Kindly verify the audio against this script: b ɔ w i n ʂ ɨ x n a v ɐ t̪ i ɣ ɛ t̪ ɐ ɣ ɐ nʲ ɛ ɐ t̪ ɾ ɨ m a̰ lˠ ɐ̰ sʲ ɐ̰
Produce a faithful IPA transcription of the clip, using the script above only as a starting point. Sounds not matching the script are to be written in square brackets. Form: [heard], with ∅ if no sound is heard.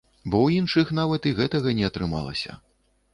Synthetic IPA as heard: b ɔ w i n ʂ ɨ x n a v ɐ t̪ i ɣ ɛ t̪ ɐ ɣ ɐ nʲ ɛ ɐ t̪ ɾ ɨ m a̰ lˠ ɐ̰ sʲ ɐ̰